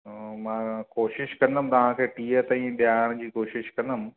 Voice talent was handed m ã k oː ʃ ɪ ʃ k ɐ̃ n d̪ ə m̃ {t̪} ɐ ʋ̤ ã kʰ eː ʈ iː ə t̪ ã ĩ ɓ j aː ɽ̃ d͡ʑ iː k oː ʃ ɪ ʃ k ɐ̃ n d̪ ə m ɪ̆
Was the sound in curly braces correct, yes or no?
yes